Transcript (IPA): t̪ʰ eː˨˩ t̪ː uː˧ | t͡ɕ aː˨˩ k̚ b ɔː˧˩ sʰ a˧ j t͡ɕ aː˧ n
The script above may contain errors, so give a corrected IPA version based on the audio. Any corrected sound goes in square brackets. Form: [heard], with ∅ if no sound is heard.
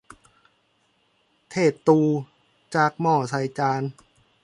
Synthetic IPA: t̪ʰ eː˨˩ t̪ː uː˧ | t͡ɕ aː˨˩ k̚ [m] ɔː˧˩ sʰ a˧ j t͡ɕ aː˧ n